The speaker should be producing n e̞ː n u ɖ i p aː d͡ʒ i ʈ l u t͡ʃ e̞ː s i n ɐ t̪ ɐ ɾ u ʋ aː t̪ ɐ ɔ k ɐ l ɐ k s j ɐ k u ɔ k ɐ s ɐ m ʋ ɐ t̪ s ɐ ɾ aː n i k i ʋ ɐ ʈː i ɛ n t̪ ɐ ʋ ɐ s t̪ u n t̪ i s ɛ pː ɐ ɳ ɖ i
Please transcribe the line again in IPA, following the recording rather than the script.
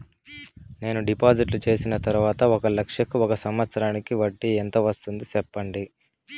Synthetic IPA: n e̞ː n u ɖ i p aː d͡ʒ i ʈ l u t͡ʃ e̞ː s i n ɐ t̪ ɐ ɾ u ʋ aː t̪ ɐ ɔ k ɐ l ɐ k ʂ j ɐ k u ɔ k ɐ s ɐ m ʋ ɐ t̪ s ɐ ɾ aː n i k i ʋ ɐ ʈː i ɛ n t̪ ɐ ʋ ɐ s t̪ u n d̪ i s ɛ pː ɐ ɳ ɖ i